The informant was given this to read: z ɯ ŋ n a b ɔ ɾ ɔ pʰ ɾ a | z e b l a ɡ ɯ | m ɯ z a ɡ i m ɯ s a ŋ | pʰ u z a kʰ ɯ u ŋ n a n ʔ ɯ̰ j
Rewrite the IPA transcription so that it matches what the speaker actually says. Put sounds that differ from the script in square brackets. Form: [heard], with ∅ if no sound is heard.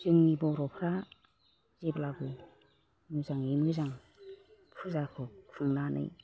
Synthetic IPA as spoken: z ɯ ŋ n [i] b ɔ ɾ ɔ pʰ ɾ a | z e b l a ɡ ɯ | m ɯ z a [ŋ] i m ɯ [z] a ŋ | pʰ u z a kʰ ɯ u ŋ n a n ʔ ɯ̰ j